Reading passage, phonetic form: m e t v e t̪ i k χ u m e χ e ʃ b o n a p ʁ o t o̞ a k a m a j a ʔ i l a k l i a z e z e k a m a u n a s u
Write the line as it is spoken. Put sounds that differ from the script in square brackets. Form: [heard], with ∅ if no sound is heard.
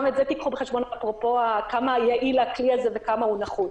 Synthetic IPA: m e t [z] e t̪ i k χ u [b] e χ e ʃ b o n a p ʁ o [p] o̞ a k a m a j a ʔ i l a k l i a z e [v] e k a m a u n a [χ] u